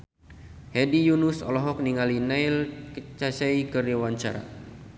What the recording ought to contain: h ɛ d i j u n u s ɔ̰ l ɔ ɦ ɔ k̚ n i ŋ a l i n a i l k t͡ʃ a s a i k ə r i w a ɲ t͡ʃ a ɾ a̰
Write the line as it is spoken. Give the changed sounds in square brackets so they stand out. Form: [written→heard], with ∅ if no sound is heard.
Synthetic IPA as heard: h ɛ d i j u n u s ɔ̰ l ɔ ɦ ɔ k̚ n i ŋ a l i n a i l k t͡ʃ a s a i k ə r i w a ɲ t͡ʃ a ɾ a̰